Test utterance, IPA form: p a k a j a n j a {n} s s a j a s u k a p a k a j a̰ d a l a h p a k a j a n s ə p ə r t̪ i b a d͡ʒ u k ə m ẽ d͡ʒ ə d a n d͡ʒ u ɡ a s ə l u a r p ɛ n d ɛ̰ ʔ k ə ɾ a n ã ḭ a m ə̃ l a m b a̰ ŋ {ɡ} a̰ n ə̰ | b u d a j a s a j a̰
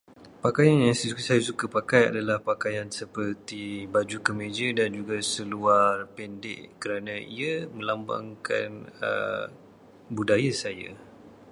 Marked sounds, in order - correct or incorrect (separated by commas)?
incorrect, incorrect